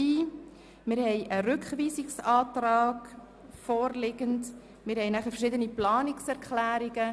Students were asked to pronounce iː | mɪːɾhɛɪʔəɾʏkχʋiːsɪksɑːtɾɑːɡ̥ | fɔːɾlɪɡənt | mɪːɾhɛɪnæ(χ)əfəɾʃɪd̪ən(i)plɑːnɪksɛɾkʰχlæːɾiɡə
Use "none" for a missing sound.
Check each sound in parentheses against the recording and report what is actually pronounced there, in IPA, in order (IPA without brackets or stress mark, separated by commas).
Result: χ, i